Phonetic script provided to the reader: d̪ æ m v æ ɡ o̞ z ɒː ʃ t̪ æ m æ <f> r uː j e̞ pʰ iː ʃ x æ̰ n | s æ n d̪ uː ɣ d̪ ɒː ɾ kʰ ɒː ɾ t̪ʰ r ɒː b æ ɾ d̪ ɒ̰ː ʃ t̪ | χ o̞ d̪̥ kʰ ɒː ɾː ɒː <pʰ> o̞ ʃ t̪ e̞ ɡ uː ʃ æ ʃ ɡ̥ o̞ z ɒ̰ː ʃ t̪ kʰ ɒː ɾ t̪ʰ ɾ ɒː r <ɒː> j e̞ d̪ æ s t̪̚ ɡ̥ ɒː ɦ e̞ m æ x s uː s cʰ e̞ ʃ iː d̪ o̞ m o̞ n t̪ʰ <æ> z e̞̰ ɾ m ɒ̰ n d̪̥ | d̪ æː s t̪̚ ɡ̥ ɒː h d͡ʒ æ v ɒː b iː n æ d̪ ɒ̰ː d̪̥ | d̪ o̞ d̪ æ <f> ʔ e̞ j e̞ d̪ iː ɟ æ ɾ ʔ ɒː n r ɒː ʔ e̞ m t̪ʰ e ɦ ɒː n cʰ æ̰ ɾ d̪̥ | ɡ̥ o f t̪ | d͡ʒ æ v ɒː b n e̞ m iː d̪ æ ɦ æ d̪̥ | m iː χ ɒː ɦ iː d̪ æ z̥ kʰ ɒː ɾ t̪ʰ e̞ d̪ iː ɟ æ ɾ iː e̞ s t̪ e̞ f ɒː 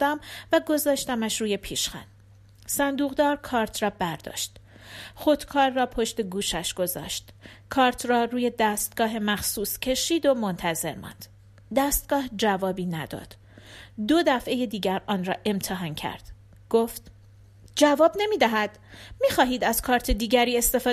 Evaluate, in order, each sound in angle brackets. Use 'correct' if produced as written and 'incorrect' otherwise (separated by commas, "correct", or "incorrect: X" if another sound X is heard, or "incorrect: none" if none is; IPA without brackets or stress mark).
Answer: incorrect: ʃ, correct, incorrect: uː, correct, correct